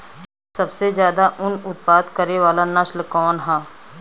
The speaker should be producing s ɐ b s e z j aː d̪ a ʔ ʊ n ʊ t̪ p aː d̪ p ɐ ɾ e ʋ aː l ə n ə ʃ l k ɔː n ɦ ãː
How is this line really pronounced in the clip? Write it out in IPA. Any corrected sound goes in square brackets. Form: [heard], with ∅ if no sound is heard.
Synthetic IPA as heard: s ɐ b s e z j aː d̪ a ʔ ʊ n ʊ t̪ p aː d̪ [k] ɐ ɾ e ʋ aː l [a] n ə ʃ l k ɔː n ɦ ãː